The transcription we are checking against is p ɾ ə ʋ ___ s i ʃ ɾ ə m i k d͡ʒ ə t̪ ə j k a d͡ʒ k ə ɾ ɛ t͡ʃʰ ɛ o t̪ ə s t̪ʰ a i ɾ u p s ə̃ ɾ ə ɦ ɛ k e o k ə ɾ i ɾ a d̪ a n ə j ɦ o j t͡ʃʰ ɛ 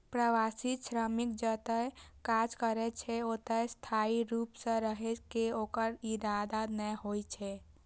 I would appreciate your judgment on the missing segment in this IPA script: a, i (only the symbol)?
a